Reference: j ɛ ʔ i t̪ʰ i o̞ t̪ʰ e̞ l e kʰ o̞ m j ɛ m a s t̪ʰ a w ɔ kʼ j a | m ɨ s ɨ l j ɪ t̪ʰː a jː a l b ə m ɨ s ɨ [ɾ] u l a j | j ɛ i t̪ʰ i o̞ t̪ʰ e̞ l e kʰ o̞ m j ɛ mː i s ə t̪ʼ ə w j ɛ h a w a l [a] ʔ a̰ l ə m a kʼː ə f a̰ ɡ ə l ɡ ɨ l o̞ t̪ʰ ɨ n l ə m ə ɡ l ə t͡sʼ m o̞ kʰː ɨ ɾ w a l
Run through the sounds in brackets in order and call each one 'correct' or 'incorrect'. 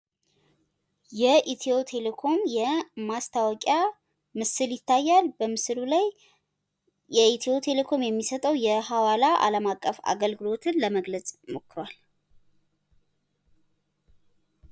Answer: incorrect: l, correct

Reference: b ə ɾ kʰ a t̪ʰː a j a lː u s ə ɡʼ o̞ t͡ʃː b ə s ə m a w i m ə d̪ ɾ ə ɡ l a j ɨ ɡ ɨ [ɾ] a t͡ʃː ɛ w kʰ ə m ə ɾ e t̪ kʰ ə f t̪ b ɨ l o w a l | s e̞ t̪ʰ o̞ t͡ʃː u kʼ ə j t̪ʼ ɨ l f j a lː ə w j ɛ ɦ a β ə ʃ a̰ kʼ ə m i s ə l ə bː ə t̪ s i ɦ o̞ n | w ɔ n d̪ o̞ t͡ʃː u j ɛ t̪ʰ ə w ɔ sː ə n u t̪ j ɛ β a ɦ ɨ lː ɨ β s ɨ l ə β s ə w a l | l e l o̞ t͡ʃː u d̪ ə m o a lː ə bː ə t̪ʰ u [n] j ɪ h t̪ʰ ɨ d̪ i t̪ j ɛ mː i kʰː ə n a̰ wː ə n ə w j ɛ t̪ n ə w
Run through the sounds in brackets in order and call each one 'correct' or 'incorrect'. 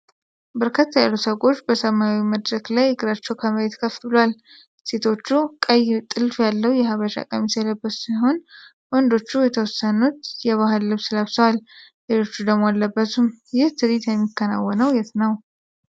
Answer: correct, incorrect: m

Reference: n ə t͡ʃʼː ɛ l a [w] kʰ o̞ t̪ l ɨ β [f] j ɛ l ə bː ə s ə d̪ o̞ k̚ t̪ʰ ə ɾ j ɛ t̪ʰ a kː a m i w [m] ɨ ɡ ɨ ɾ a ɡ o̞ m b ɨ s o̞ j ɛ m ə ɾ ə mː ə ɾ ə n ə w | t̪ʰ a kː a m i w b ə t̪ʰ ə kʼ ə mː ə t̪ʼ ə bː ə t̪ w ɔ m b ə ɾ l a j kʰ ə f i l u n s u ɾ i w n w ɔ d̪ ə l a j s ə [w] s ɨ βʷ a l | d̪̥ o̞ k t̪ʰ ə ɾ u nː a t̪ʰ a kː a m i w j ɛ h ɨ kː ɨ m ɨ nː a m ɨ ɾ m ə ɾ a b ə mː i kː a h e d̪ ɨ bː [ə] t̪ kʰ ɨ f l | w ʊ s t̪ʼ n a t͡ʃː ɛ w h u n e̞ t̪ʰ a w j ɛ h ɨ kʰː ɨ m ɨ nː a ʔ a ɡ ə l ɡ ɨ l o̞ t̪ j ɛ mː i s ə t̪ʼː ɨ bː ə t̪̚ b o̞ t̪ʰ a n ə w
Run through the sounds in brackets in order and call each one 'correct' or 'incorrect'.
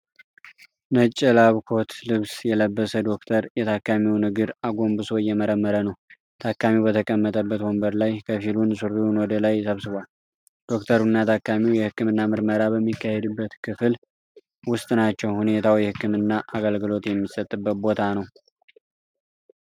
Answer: incorrect: β, incorrect: s, incorrect: n, incorrect: β, correct

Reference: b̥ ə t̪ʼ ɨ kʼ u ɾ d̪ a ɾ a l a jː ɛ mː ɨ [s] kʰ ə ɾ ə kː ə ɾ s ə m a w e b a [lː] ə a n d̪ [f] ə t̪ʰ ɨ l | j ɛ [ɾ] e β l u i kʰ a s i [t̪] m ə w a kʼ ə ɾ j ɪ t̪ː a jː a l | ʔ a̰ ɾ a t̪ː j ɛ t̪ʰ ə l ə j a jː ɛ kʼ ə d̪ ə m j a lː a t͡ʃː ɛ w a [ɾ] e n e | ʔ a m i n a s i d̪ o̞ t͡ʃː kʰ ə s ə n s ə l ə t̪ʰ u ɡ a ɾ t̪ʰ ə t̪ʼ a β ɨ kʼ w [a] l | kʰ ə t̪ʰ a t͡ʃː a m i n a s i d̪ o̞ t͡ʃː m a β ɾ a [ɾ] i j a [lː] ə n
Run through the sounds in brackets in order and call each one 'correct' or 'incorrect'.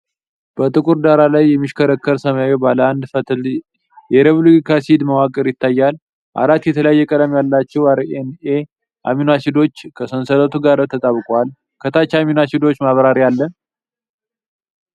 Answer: incorrect: ʃ, incorrect: l, correct, correct, incorrect: d̪, correct, correct, correct, correct

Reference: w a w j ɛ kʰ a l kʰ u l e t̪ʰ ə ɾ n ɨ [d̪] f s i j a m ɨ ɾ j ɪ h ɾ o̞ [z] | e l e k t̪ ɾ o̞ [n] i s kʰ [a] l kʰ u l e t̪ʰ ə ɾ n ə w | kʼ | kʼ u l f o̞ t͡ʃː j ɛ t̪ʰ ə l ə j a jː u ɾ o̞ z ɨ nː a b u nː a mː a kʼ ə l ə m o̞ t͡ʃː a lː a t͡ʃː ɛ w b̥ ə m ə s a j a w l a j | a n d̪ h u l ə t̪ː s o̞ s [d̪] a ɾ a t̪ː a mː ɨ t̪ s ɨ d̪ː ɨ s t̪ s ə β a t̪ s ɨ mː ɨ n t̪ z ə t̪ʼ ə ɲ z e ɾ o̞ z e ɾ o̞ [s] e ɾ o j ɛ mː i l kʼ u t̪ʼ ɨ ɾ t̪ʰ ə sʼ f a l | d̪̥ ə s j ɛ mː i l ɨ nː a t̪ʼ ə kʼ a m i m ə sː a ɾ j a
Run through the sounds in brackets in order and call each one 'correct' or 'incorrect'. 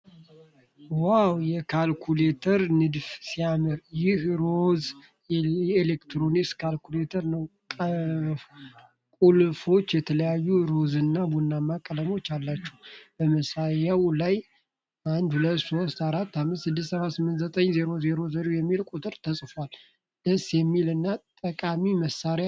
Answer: correct, correct, correct, correct, incorrect: t̪, incorrect: z

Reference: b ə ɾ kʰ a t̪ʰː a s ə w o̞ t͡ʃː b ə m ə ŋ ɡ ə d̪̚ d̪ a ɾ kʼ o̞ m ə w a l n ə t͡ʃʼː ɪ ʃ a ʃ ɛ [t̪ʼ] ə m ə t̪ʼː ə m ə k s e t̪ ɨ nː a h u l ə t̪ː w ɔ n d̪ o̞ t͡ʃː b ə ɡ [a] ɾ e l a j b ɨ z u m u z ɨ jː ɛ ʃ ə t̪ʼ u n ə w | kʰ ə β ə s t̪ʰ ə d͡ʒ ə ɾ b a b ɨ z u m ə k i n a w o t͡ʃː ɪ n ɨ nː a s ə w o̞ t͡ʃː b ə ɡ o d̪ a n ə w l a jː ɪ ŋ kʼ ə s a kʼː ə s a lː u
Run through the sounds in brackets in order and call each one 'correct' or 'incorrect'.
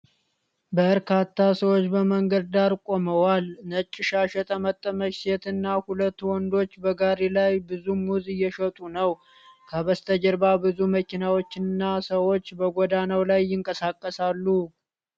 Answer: correct, correct

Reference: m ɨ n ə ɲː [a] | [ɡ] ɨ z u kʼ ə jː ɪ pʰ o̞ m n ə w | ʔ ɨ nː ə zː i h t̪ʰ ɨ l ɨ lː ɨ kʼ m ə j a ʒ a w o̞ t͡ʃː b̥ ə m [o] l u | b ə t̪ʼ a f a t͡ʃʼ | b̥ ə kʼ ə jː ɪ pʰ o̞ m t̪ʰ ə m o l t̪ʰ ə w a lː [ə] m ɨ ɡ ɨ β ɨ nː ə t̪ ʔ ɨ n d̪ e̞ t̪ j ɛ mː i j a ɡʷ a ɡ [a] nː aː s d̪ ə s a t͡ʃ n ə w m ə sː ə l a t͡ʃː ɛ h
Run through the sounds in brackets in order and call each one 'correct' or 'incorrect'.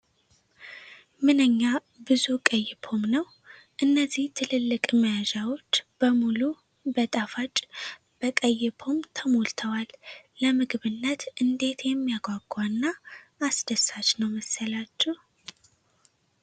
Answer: correct, incorrect: b, incorrect: u, correct, correct

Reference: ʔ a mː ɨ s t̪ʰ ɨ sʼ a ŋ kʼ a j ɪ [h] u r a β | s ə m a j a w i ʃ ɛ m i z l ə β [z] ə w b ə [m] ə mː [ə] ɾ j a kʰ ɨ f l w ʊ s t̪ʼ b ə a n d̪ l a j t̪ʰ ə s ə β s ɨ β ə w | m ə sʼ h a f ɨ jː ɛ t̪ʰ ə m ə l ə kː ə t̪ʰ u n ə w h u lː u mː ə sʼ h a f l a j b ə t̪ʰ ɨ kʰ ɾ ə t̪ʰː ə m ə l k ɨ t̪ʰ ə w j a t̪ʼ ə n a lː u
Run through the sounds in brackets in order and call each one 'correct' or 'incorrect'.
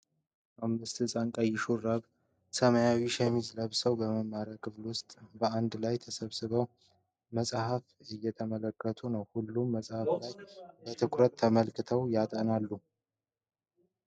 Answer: incorrect: ʃ, incorrect: s, correct, incorrect: a

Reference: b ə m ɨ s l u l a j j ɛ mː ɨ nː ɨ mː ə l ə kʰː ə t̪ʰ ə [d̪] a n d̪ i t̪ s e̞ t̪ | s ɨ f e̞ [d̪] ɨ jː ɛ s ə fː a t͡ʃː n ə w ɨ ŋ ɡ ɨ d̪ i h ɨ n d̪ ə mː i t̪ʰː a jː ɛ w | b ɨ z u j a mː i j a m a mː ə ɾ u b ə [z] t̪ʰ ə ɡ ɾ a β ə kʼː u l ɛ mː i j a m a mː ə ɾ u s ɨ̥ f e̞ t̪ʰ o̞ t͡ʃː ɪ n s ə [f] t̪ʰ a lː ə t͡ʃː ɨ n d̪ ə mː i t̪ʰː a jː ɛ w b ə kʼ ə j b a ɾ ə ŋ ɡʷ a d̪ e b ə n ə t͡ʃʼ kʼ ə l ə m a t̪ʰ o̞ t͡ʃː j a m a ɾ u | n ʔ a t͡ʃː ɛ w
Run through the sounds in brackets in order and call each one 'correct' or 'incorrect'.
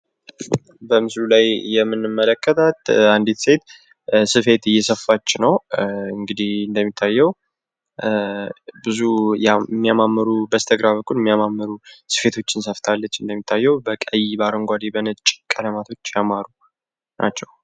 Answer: incorrect: t̪, incorrect: t̪, incorrect: s, correct

